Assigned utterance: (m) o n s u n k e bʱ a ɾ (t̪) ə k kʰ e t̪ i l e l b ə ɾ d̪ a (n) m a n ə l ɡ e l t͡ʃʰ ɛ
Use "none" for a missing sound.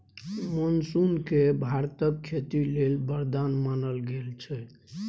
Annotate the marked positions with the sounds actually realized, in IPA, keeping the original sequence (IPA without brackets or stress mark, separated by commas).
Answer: m, t̪, n